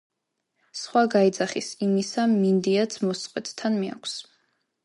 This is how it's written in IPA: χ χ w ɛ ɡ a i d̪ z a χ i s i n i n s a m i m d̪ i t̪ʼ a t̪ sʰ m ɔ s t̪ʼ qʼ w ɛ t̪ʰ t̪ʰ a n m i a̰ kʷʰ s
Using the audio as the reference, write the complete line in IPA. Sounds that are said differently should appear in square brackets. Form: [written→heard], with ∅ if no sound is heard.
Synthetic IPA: [χ→s] χ w [ɛ→a] ɡ a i d̪ z a χ i s i [n→m] i [n→∅] s a m i [m→n] d̪ i [t̪ʼ→∅] a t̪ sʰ m ɔ s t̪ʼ qʼ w ɛ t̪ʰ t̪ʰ a n m i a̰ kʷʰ s